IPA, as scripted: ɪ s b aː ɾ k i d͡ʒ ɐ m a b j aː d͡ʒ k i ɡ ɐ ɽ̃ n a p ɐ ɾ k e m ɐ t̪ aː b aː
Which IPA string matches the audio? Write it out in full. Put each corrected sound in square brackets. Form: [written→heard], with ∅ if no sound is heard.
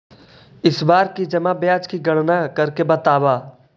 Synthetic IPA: ɪ s b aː ɾ k i d͡ʒ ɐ m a b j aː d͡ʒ k i ɡ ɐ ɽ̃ n a [p→k] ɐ ɾ k e [m→b] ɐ t̪ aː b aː